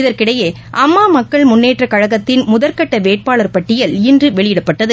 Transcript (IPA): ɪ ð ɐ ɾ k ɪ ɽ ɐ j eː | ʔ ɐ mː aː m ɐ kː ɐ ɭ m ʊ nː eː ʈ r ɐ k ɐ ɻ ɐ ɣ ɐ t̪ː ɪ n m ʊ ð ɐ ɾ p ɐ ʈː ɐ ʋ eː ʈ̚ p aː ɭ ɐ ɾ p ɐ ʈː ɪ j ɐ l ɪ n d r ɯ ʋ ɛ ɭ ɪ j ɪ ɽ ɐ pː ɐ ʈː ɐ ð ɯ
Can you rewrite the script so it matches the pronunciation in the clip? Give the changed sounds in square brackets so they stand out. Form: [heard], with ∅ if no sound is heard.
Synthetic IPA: ɪ ð ɐ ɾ k ɪ ɽ ɐ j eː | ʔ ɐ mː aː m ɐ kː ɐ ɭ m ʊ nː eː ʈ r ɐ k ɐ ɻ ɐ ɣ ɐ t̪ː ɪ n m ʊ ð ɐ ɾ [k] ɐ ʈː ɐ ʋ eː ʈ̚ p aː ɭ ɐ ɾ p ɐ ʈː ɪ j ɐ l ɪ n d r ɯ ʋ ɛ ɭ ɪ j ɪ ɽ ɐ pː ɐ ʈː ɐ ð ɯ